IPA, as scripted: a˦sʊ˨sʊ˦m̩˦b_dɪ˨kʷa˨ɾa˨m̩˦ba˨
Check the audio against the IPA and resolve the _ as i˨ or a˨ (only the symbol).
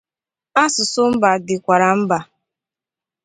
a˨